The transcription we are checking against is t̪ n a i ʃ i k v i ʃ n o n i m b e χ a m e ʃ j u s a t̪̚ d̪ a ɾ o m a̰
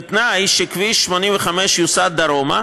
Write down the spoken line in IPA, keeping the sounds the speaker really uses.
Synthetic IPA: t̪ n a j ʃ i k v i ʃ m o n i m v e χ a m e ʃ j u s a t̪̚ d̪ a ɾ o m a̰